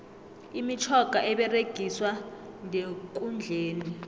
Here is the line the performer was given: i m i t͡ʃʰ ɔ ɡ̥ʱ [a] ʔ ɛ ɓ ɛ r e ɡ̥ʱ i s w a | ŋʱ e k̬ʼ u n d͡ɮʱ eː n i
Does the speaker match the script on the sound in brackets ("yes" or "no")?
yes